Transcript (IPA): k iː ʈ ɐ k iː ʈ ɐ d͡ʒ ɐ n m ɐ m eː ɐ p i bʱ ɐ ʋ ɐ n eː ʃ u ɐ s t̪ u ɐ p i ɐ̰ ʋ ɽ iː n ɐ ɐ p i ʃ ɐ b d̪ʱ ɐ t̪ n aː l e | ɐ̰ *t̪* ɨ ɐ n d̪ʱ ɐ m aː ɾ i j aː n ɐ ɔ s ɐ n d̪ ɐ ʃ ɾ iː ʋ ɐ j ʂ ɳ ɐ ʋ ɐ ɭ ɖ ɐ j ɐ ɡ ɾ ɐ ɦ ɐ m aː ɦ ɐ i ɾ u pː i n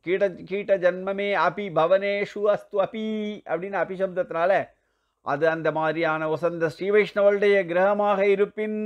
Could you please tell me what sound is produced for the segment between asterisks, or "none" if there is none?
d̪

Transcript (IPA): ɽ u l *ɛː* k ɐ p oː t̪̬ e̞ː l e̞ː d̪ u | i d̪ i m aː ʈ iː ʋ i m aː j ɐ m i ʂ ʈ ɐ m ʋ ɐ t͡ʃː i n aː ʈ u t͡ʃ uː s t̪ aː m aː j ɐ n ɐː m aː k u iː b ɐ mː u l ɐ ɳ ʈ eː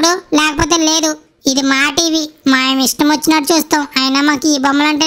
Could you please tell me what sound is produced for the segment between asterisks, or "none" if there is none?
ɛː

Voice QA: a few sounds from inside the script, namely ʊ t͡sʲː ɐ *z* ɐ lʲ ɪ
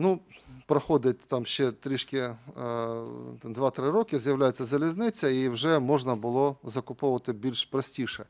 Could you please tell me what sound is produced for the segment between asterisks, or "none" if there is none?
z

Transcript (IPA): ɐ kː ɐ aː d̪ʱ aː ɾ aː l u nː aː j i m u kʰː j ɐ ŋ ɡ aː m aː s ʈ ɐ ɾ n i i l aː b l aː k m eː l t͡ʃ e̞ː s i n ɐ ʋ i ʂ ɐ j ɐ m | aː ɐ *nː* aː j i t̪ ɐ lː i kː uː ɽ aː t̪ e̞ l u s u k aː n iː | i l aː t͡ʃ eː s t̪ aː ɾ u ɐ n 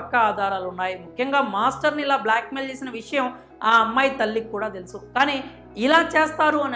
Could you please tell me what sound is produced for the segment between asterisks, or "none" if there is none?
mː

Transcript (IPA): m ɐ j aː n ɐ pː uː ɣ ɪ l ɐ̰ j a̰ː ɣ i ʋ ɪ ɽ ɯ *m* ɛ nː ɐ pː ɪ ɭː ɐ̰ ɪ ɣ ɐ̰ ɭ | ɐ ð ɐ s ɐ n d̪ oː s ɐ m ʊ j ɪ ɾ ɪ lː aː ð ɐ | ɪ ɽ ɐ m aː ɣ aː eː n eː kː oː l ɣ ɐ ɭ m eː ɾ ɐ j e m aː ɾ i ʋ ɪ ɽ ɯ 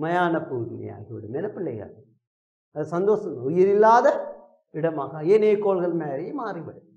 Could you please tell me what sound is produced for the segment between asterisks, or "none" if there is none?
m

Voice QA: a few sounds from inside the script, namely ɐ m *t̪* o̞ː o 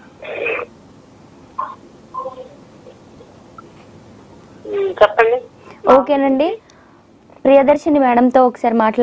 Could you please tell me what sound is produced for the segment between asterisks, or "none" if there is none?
t̪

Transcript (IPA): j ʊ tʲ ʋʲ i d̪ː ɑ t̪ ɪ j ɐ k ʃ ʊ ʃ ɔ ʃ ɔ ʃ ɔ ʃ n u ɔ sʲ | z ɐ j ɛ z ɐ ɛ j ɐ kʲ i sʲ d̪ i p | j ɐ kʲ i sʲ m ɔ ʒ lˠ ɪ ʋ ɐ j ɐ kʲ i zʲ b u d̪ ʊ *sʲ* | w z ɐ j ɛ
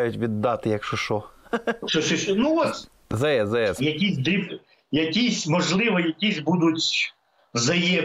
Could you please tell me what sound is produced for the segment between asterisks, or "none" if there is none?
tʲ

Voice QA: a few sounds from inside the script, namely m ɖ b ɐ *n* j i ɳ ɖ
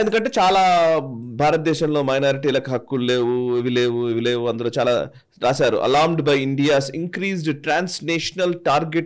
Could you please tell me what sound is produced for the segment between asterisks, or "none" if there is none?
none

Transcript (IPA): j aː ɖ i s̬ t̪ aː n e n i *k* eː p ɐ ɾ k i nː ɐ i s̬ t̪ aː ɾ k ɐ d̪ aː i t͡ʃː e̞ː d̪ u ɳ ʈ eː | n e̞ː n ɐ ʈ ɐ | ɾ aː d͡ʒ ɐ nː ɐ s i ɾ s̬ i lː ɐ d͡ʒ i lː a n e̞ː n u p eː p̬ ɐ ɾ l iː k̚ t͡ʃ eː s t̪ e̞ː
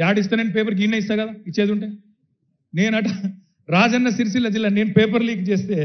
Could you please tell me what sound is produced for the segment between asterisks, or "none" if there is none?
p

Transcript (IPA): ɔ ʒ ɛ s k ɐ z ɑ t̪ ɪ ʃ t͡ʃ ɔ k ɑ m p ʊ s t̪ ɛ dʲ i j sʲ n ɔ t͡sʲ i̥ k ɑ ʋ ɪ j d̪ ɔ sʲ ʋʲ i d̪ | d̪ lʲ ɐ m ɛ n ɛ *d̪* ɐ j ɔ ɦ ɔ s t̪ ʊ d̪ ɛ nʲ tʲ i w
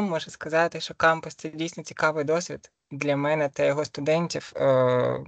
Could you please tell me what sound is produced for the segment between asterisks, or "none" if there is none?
t̪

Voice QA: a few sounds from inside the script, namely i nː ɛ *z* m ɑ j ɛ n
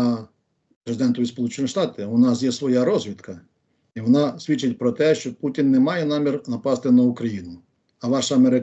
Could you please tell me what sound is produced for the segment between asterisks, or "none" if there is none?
none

